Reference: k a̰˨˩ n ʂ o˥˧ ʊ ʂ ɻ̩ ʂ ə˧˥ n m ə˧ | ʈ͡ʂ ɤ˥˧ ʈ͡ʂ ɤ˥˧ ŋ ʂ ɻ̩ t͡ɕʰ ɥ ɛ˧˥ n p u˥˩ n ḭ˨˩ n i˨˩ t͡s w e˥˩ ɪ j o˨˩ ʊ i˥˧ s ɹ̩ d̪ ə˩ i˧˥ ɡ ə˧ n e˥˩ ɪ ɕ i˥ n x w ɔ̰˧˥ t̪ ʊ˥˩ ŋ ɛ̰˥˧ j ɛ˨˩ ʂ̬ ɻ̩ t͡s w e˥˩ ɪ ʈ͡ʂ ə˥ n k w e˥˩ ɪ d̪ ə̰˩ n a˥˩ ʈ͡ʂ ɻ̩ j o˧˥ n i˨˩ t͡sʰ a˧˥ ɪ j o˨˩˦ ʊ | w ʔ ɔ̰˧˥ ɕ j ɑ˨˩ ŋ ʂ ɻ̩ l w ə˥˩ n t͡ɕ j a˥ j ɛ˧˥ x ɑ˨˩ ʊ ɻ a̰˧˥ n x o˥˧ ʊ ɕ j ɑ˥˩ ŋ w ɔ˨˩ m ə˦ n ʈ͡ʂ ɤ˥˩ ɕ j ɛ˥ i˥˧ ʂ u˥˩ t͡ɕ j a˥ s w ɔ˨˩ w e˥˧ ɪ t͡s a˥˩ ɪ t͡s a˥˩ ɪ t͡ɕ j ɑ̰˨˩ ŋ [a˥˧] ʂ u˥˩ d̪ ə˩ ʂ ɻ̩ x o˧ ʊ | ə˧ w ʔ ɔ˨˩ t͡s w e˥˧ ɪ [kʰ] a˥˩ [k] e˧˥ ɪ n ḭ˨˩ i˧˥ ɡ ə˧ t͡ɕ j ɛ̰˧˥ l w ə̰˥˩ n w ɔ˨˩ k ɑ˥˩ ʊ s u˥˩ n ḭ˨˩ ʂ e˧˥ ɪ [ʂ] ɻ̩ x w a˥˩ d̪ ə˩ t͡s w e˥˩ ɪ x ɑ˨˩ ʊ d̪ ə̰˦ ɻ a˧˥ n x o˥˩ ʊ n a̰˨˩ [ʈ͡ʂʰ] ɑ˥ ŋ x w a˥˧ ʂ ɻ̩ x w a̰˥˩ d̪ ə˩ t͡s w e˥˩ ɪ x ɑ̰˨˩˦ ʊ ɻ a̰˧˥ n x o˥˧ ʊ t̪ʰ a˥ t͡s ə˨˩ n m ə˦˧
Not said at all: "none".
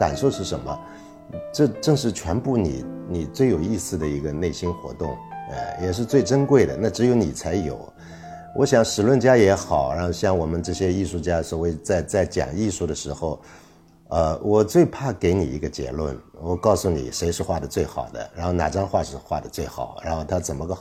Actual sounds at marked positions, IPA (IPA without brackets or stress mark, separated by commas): i˥˧, pʰ, k, ʂ, ʈ͡ʂ